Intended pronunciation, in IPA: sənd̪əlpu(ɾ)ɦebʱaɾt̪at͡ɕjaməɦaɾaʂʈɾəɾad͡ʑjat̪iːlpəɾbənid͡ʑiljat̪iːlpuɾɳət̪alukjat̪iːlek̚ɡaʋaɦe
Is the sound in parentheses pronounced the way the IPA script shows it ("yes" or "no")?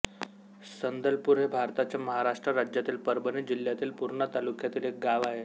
yes